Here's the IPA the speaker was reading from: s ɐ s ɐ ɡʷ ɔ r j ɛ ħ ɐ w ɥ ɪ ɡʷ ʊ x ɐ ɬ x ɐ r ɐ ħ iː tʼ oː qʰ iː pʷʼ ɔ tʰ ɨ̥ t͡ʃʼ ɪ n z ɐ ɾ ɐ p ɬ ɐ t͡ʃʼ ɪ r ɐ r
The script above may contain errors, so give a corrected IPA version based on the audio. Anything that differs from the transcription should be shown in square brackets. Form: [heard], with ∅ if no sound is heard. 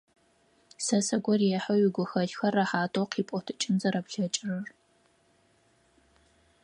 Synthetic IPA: s ɐ s ɐ ɡʷ ɔ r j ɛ ħ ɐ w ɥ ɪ ɡʷ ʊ x ɐ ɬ x ɐ r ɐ ħ [aː] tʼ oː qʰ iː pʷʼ ɔ tʰ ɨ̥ t͡ʃʼ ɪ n z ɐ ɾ ɐ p ɬ ɐ t͡ʃʼ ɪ r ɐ r